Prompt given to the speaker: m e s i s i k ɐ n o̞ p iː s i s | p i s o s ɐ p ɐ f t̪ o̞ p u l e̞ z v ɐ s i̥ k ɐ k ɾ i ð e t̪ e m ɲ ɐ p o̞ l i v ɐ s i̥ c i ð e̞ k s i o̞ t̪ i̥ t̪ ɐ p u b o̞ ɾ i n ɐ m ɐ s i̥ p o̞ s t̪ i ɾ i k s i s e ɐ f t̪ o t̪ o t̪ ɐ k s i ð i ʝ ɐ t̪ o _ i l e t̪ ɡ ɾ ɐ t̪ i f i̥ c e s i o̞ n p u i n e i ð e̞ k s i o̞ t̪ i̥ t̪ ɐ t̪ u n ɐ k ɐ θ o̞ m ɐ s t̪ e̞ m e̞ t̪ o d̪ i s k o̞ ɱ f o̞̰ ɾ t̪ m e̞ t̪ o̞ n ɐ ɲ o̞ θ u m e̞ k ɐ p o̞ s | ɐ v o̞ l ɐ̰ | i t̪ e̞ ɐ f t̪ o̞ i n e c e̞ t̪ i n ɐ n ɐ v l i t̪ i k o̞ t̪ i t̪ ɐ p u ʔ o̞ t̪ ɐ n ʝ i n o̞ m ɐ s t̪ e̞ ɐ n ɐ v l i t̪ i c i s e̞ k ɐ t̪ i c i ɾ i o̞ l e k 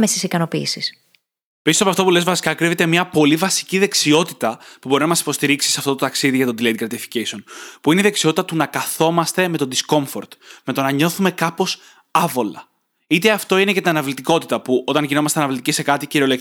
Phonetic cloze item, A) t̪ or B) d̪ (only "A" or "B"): B